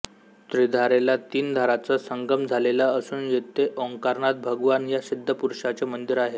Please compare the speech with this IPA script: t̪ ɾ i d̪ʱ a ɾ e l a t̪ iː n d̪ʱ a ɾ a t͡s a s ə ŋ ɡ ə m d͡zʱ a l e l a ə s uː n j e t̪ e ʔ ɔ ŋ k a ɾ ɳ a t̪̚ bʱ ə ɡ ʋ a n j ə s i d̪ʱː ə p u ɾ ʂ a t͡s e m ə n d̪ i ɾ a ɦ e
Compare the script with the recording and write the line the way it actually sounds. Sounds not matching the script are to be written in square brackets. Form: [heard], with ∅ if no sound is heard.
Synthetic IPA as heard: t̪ ɾ i d̪ʱ a ɾ e l a t̪ iː n d̪ʱ a ɾ a t͡s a s ə ŋ ɡ ə m d͡zʱ a l e l a ə s uː n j e t̪ e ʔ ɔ ŋ k a ɾ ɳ a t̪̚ bʱ ə ɡ ʋ a n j [a] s i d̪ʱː ə p u ɾ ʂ a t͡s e m ə n d̪ i ɾ a ɦ e